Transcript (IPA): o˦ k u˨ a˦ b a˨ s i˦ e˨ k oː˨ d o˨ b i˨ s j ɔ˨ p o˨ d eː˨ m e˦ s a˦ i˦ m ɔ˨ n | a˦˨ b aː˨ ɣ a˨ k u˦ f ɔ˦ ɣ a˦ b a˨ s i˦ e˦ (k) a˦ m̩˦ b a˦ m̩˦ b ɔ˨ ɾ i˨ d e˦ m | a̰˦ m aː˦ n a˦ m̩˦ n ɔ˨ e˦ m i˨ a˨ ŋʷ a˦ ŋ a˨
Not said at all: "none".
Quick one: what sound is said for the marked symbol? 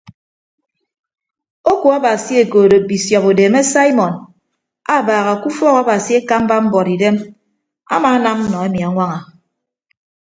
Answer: k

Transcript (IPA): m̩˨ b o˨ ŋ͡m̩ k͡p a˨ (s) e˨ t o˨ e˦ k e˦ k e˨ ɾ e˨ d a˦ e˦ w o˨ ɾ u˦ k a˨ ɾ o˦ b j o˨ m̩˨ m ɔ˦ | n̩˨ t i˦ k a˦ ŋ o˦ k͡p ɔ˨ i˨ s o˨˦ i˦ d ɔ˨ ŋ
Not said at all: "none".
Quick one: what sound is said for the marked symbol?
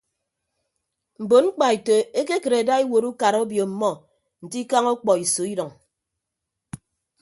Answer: none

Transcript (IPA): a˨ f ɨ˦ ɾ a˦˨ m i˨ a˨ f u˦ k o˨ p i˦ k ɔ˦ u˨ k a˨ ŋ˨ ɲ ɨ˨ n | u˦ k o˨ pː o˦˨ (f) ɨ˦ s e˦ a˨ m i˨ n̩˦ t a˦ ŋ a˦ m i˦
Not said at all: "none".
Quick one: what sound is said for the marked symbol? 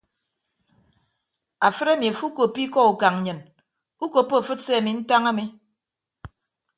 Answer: f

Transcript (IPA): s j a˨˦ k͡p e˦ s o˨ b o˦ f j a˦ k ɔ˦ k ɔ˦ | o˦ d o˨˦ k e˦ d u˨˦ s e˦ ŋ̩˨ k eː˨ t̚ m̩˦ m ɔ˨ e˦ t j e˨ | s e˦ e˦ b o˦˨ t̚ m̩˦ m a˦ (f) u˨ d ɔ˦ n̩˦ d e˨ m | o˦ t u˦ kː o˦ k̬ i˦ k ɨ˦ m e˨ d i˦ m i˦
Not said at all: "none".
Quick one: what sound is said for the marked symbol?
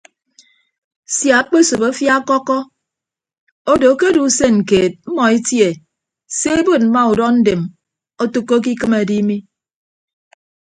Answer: none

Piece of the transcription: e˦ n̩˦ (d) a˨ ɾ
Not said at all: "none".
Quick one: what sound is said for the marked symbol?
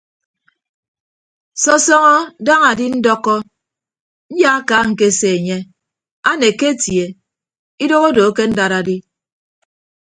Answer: d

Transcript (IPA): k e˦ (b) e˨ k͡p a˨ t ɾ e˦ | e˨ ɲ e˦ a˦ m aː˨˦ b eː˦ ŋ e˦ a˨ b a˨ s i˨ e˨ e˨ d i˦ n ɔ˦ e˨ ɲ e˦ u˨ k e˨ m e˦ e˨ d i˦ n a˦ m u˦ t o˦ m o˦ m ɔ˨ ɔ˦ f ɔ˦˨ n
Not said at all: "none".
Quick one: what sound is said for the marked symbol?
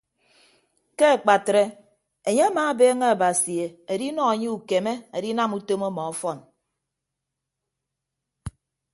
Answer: none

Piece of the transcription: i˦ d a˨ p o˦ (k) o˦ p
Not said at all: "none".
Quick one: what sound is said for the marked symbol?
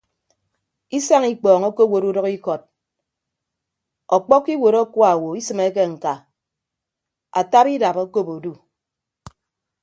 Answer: k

